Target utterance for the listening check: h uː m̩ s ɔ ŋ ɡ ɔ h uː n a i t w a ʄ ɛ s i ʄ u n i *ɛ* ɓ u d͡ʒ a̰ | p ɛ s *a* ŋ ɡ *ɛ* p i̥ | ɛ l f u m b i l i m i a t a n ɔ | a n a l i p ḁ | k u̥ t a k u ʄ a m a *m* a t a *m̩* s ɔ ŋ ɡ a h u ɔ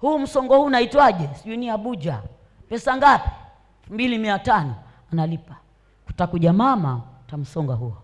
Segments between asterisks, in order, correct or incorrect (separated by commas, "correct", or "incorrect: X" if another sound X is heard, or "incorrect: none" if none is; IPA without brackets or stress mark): incorrect: a, correct, incorrect: a, correct, correct